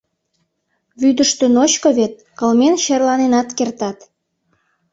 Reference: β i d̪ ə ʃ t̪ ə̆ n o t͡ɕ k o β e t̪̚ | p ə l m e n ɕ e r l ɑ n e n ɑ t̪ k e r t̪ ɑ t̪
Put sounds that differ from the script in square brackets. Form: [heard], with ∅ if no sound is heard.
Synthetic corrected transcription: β [y] d̪ ə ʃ t̪ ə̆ n o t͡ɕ k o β e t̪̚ | [k] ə l m e n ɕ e r l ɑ n e n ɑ t̪ k e r t̪ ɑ t̪